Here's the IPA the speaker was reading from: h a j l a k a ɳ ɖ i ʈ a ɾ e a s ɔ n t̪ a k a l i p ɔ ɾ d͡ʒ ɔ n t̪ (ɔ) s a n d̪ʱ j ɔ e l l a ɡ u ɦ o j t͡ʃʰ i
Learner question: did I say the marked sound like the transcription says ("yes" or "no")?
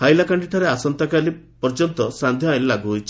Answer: yes